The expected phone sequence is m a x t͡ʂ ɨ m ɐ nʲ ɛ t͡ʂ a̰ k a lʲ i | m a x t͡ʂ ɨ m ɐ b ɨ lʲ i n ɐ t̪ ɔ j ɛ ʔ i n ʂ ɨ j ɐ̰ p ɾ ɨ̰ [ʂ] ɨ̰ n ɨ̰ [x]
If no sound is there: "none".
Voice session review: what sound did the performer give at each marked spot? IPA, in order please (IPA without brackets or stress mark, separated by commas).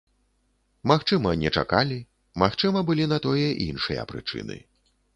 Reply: t͡ʂ, none